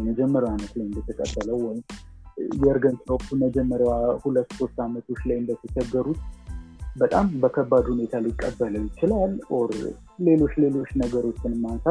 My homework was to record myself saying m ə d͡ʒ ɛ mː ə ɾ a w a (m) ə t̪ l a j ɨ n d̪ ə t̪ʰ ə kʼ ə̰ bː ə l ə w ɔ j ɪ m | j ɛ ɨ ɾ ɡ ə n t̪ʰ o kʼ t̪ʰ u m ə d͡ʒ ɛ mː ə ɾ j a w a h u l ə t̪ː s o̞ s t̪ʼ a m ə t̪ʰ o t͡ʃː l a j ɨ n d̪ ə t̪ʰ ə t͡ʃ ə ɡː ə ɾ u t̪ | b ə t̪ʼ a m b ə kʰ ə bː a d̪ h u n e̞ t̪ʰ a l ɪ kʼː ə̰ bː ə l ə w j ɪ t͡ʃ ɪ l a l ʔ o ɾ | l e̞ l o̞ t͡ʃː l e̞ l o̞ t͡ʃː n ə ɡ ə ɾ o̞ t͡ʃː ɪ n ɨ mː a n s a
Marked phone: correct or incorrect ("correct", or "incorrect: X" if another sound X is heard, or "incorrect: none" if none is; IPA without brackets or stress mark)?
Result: incorrect: n